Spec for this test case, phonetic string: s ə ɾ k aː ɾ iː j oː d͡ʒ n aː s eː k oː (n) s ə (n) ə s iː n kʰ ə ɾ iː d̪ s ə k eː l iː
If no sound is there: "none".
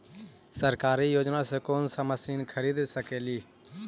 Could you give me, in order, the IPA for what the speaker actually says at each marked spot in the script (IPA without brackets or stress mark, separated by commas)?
n, m